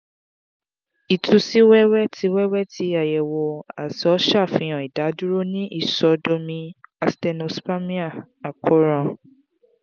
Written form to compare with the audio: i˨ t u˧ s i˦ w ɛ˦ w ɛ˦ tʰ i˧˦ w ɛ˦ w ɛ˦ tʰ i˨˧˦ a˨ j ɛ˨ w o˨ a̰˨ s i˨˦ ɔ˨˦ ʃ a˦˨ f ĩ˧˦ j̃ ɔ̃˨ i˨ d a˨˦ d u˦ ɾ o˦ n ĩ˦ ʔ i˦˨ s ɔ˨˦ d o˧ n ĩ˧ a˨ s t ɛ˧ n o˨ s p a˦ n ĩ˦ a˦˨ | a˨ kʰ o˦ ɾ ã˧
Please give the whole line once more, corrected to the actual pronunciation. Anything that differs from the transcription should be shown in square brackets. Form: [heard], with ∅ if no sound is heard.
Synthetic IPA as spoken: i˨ t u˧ s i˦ w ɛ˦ w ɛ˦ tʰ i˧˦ w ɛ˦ w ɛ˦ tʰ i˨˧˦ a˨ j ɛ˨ w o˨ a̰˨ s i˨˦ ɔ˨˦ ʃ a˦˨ f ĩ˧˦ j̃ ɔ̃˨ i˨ d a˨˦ d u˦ ɾ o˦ n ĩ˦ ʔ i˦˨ s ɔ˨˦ d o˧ [m] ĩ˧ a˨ s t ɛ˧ n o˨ s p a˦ [m] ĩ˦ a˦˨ | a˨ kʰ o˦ ɾ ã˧